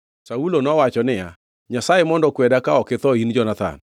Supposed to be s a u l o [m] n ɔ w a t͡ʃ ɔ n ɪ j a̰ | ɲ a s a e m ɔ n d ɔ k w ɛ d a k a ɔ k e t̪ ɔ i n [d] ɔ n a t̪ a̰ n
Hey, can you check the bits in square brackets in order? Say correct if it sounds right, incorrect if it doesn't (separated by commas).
incorrect, incorrect